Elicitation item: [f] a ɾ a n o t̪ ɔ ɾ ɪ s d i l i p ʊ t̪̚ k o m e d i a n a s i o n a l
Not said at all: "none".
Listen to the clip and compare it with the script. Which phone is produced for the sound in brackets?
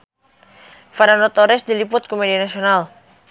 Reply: f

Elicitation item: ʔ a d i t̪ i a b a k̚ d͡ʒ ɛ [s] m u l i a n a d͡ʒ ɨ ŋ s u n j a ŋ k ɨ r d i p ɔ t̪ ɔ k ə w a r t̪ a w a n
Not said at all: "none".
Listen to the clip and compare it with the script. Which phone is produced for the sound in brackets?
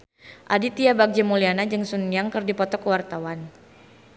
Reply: none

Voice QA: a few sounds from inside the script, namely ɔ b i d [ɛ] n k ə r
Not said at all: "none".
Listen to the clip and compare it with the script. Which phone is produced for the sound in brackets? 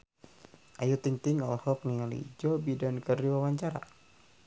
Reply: a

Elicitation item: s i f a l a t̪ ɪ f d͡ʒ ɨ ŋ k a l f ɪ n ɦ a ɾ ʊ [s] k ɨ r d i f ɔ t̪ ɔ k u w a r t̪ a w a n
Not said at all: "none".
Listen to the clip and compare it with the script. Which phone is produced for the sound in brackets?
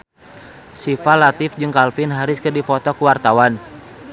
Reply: s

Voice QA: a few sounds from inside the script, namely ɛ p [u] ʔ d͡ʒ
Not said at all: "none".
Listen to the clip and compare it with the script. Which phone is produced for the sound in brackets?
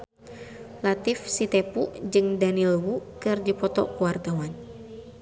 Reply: u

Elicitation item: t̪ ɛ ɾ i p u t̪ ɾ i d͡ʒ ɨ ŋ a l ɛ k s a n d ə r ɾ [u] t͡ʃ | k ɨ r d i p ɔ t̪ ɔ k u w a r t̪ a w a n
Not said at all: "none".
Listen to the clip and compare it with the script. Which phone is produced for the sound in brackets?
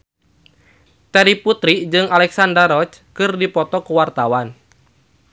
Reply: ɔ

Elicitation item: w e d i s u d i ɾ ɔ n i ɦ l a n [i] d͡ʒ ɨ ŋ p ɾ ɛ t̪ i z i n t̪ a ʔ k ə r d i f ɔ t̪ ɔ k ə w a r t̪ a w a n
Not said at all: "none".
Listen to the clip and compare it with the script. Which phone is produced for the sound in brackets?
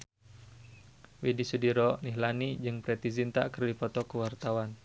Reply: i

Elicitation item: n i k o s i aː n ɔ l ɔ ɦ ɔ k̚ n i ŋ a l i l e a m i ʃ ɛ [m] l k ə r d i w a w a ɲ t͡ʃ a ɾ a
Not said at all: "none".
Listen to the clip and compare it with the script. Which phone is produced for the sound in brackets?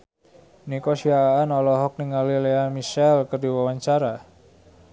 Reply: none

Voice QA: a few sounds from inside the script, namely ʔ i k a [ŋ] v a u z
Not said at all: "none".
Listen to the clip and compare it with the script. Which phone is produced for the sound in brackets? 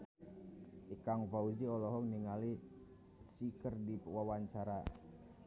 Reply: ŋ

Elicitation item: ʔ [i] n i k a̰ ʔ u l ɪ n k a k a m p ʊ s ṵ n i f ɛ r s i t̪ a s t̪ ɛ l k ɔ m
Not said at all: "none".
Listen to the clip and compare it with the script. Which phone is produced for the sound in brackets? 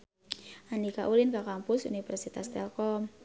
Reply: a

